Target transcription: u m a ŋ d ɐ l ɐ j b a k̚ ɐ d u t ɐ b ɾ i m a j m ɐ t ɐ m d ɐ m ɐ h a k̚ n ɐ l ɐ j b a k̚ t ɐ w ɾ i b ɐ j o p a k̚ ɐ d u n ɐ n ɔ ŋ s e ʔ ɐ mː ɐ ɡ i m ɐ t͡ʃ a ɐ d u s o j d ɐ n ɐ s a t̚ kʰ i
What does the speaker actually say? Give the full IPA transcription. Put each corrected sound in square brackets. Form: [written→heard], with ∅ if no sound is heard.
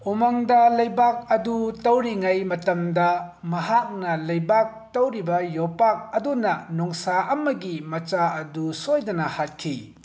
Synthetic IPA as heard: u m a ŋ d ɐ l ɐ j b a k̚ ɐ d u t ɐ [b→w] ɾ i [m→ŋ] a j m ɐ t ɐ m d ɐ m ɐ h a k̚ n ɐ l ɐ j b a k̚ t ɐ w ɾ i b ɐ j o p a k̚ ɐ d u n ɐ n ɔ ŋ s [e→a] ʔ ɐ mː ɐ ɡ i m ɐ t͡ʃ a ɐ d u s o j d ɐ n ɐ [s→h] a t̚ kʰ i